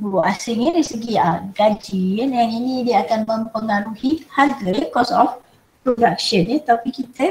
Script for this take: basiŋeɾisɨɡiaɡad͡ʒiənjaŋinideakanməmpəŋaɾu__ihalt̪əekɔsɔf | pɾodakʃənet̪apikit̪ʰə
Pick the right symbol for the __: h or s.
h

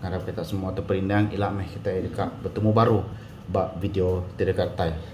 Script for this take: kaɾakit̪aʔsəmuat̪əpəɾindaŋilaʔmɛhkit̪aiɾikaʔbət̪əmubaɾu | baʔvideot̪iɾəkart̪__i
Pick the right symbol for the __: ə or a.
a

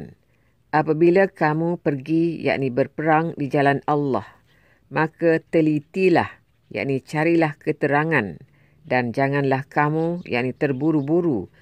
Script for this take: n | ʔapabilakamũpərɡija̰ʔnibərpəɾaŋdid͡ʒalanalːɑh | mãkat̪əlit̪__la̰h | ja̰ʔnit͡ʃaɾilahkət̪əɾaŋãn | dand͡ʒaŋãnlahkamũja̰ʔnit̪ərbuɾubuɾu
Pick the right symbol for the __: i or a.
i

